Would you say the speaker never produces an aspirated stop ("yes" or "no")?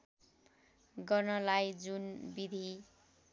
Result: yes